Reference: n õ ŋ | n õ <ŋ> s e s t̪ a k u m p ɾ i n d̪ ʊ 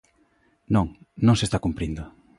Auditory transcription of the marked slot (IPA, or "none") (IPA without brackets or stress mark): ŋ